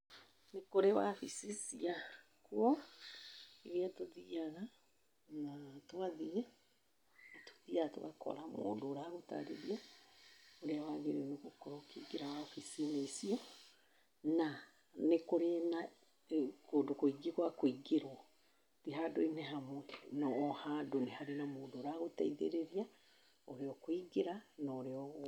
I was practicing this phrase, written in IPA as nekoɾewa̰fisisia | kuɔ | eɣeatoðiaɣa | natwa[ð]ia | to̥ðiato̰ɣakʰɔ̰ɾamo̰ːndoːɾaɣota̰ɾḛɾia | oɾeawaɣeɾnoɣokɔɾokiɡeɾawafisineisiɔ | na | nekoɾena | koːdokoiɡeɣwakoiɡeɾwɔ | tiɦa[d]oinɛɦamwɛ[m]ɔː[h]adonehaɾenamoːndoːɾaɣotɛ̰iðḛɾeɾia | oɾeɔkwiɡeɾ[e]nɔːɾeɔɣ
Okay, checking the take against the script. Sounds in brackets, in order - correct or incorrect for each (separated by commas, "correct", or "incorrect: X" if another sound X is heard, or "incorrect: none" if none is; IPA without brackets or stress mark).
correct, correct, incorrect: n, correct, incorrect: a